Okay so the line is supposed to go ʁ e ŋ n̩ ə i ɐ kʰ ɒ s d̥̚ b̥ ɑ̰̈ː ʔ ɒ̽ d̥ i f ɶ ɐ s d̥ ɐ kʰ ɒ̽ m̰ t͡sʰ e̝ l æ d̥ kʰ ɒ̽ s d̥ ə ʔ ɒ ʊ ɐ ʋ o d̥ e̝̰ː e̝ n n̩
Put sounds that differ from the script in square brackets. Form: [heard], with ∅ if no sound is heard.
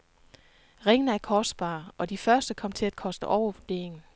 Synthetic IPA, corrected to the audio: ʁ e ŋ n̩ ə [æ] ɐ kʰ ɒ s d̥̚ b̥ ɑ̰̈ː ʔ ɒ̽ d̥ i f ɶ ɐ s d̥ [ə] kʰ ɒ̽ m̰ t͡sʰ e̝ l æ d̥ kʰ ɒ̽ s d̥ ə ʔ ɒ ʊ ɐ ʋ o d̥ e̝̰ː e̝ [ŋ] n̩